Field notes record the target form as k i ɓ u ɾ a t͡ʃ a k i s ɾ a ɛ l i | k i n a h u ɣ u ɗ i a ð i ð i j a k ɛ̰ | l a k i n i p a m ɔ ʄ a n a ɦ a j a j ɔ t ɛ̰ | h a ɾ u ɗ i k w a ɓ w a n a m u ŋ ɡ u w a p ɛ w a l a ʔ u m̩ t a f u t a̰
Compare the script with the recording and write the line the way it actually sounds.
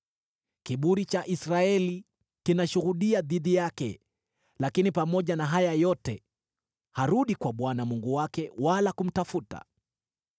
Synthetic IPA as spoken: k i ɓ u ɾ i t͡ʃ a ʔ i s ɾ a ɛ l i | k i n a ʃ u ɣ u ɗ i a ð i ð i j a k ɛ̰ | l a k i n i p a m ɔ ʄ a n a ɦ a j a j ɔ t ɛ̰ | h a ɾ u ɗ i k w a ɓ w a n a m u ŋ ɡ u w a k ɛ w a l a k u m̩ t a f u t a̰